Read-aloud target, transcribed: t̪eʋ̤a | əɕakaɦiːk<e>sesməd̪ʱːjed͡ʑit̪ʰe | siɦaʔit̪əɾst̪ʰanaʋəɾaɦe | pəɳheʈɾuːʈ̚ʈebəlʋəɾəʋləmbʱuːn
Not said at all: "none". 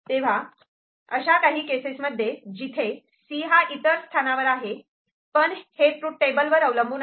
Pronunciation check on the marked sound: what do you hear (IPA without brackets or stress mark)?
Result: e